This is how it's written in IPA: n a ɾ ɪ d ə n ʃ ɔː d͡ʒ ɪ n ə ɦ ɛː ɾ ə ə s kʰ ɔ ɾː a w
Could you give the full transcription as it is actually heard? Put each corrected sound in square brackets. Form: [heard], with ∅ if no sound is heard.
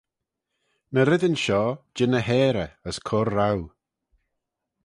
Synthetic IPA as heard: n [ə] ɾ ɪ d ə n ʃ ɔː d͡ʒ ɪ n ə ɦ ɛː ɾ ə ə s kʰ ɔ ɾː a w